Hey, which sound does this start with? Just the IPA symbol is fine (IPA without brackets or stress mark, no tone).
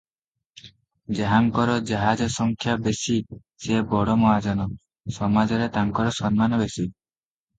d͡ʒ